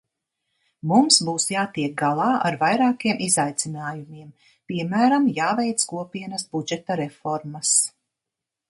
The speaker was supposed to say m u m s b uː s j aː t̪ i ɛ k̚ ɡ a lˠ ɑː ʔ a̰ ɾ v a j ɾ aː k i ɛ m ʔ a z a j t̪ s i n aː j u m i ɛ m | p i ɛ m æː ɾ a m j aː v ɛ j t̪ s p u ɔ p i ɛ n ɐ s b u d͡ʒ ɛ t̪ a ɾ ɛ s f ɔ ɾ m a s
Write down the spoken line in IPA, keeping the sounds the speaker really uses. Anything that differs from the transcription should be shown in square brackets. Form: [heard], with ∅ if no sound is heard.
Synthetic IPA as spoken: m u m s b uː s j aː t̪ i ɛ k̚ ɡ a lˠ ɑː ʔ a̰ ɾ v a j ɾ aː k i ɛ m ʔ [i] z a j t̪ s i n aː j u m i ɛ m | p i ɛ m æː ɾ a m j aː v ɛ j t̪ s [k] u ɔ p i ɛ n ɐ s b u d͡ʒ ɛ t̪ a ɾ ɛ [∅] f ɔ ɾ m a s